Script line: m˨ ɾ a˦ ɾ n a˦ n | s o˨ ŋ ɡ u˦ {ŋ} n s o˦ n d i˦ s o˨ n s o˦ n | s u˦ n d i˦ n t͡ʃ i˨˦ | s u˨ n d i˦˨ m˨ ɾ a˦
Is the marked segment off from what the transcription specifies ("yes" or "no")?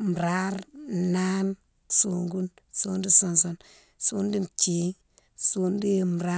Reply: yes